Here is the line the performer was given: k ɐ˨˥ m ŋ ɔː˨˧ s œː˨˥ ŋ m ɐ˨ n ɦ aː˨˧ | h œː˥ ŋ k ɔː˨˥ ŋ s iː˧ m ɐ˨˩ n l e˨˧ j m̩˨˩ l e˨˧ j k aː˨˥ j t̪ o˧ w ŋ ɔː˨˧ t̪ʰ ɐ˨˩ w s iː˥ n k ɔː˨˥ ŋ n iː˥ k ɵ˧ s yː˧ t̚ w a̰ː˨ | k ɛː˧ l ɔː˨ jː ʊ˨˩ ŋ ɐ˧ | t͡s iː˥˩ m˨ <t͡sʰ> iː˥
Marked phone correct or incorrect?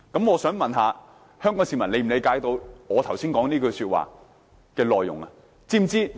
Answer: incorrect